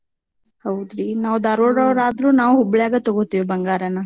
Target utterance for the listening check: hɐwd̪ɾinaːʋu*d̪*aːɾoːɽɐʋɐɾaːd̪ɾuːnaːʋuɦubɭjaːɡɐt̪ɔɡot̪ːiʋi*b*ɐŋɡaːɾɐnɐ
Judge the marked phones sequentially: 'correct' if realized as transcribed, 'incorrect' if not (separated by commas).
correct, correct